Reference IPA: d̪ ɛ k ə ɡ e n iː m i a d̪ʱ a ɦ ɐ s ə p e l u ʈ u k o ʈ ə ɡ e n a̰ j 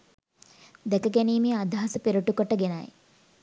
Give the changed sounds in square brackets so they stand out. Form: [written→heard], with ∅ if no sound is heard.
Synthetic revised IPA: d̪ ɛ k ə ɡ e n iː m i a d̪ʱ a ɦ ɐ s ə p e [l→ɾ] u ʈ u k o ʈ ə ɡ e n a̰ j